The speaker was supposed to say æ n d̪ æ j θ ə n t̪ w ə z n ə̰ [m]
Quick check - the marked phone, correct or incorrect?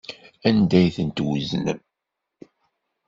correct